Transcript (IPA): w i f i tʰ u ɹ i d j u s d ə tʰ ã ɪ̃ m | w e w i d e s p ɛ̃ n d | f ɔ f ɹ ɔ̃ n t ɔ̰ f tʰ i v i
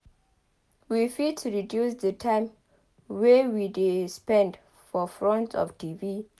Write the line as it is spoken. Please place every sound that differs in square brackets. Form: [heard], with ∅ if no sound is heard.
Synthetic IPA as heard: w i f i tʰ u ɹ i d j u s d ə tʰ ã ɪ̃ m | w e w i d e s p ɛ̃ n d | f ɔ f ɹ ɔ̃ n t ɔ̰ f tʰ i v i